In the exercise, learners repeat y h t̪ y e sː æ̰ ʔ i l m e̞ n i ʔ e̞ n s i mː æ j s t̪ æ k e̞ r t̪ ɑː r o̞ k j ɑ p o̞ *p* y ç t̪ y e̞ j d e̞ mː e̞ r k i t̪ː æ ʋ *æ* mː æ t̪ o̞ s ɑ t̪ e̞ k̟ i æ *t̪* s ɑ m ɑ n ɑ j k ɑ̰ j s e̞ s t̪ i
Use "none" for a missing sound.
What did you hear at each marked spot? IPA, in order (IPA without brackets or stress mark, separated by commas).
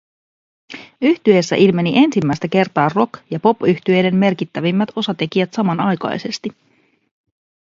p, i, t̪